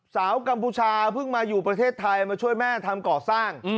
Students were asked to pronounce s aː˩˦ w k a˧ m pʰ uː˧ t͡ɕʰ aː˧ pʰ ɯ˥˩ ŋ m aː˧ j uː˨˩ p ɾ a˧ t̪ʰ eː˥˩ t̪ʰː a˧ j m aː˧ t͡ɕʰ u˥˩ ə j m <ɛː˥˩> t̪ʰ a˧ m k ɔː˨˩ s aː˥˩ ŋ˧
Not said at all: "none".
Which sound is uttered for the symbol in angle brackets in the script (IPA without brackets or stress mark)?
ɛː˥˩